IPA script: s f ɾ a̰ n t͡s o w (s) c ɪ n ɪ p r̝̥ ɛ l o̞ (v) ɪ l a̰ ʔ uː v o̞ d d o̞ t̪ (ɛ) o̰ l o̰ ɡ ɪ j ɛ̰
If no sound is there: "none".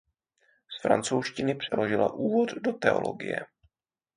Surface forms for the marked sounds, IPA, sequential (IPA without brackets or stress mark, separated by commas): ʃ, ʒ, ɛ